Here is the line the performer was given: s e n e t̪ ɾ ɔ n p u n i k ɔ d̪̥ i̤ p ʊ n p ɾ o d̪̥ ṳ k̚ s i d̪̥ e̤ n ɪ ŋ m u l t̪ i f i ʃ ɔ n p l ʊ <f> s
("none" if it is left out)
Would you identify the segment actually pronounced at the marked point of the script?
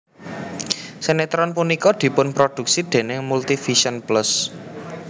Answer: none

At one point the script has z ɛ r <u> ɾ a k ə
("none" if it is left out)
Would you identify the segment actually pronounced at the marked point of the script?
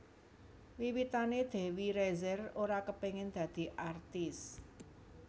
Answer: o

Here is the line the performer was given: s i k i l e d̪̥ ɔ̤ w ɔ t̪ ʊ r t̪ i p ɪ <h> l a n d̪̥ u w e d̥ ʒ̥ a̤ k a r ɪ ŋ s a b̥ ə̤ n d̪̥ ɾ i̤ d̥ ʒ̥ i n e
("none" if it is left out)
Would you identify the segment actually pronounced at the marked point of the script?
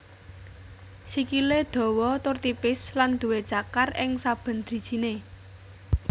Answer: s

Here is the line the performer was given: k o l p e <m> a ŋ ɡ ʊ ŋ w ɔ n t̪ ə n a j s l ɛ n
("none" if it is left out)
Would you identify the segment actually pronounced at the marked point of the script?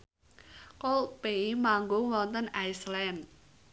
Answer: m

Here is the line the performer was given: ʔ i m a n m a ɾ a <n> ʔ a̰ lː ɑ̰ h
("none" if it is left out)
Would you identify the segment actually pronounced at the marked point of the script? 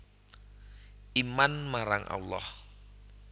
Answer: ŋ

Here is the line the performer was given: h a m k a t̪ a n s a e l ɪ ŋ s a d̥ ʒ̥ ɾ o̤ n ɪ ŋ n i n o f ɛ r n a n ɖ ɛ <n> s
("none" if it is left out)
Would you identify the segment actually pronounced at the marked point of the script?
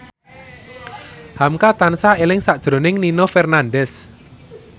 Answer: none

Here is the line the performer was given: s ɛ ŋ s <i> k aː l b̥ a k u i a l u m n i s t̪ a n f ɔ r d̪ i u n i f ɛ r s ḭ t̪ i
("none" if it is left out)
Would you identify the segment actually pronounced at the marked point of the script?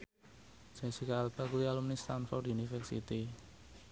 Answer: i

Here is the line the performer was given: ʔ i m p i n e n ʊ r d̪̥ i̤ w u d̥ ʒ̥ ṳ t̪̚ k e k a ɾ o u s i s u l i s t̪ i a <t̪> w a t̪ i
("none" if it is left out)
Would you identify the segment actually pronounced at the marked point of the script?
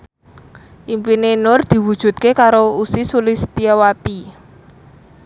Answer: none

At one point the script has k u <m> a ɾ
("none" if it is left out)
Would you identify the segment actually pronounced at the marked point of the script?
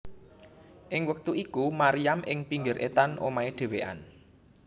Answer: m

